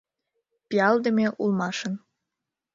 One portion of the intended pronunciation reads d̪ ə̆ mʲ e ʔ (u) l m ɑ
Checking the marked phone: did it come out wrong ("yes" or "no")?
no